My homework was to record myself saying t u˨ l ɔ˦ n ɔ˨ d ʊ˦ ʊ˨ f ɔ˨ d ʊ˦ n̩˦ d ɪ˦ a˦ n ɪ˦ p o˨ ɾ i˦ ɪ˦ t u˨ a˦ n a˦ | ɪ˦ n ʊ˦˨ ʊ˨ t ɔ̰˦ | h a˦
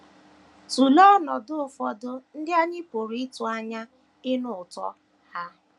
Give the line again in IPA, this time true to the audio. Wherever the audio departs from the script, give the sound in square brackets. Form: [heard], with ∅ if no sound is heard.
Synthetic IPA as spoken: t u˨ l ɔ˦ n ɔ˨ d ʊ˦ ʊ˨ f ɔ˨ d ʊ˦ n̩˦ d ɪ˦ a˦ [ɲ] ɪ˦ p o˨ ɾ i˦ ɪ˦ t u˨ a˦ [ɲ] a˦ | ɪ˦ n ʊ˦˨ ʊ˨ t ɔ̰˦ | h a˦